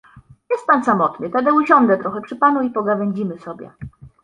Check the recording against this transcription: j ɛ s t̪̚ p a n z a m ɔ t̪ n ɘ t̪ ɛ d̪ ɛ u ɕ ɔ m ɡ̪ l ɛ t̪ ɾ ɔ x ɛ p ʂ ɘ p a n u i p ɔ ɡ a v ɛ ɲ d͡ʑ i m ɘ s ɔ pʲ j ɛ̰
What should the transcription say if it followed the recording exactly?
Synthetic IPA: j ɛ s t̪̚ p a n s a m ɔ t̪ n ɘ t̪ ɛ d̪ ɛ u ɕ ɔ ŋ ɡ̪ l ɛ t̪ ɾ ɔ x ɛ p ʂ ɘ p a n u i p ɔ ɡ a v ɛ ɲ d͡ʑ i m ɘ s ɔ bʲ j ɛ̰